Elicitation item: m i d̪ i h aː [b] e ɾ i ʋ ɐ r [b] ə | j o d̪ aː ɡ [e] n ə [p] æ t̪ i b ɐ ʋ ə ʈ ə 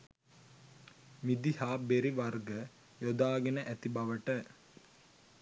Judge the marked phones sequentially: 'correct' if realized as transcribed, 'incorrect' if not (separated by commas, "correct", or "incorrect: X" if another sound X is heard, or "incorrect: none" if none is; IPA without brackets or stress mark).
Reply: correct, incorrect: ɡ, correct, incorrect: ʔ